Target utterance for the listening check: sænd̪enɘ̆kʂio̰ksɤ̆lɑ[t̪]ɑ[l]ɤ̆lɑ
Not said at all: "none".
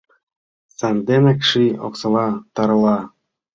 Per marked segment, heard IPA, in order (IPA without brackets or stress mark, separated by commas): t̪, ɾ